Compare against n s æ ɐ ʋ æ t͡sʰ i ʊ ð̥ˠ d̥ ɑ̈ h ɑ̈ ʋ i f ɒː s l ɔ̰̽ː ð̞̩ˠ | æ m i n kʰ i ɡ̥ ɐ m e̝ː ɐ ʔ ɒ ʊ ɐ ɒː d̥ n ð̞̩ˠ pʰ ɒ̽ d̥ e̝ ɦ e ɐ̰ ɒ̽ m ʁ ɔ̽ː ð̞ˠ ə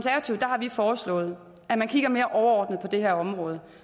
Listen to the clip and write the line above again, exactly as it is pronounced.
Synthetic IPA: n s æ ɐ ʋ æ t͡sʰ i ʊ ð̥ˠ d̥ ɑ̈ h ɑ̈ ʋ i f ɒː s l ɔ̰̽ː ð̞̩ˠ | æ m æ n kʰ i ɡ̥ ɐ m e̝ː ɐ ʔ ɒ ʊ ɐ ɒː d̥ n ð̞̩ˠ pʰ ɒ̽ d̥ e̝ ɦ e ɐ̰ ɒ̽ m ʁ ɔ̽ː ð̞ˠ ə